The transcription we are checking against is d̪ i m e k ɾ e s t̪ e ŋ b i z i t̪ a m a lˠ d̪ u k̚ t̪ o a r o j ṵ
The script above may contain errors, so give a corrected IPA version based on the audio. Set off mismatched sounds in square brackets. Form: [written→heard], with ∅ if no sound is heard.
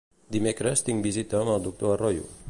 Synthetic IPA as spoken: d̪ i m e k ɾ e s t̪ [e→i] ŋ b i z i t̪ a m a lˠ d̪ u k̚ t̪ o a r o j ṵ